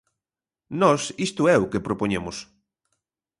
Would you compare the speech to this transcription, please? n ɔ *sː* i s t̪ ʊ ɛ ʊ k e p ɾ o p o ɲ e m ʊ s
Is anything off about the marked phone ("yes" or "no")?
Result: yes